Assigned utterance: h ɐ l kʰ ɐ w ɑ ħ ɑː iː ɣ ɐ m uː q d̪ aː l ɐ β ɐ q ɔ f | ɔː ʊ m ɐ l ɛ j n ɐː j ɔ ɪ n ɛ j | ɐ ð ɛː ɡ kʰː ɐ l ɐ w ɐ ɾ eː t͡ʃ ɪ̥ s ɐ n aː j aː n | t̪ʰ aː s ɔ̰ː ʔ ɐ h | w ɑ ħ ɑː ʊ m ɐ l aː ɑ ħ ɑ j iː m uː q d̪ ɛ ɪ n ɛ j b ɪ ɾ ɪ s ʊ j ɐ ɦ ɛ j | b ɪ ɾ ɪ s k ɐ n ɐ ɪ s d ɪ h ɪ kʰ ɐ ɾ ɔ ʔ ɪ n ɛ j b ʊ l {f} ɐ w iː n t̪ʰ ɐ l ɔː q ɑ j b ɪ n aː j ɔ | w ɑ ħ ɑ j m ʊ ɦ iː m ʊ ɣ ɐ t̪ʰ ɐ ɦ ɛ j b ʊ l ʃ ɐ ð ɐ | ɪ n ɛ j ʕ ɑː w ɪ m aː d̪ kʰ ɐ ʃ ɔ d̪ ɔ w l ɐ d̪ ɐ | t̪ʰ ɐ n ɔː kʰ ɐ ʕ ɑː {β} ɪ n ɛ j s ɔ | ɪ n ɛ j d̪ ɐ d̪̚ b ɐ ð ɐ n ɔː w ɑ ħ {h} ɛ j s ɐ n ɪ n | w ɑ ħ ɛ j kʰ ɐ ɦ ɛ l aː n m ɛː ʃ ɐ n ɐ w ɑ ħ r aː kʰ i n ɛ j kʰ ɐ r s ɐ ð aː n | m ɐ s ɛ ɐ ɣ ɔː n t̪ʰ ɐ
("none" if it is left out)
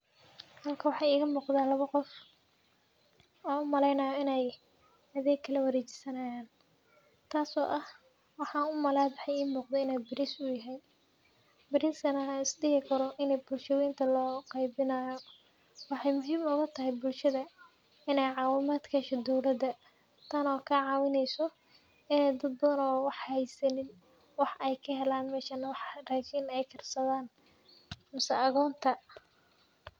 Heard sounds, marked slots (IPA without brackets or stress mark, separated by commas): ʃ, w, h